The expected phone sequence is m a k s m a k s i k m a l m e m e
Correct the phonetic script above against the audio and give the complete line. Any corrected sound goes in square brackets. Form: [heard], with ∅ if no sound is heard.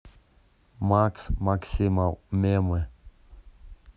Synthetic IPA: m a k s m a k s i [∅] m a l m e m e